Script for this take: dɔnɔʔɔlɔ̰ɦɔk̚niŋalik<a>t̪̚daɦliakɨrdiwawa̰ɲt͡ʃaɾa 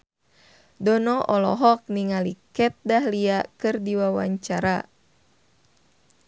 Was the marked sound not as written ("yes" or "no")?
yes